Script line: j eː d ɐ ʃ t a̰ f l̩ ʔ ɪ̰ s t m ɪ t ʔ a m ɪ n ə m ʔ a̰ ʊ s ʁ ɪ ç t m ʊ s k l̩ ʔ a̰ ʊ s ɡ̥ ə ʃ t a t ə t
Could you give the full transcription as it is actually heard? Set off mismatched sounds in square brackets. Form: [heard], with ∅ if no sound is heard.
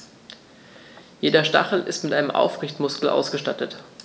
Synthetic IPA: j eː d ɐ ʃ t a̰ [χ] l̩ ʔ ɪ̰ s t m ɪ t ʔ a [∅] ɪ n ə m ʔ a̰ ʊ [f] ʁ ɪ ç t m ʊ s k l̩ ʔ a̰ ʊ s ɡ̥ ə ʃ t a t ə t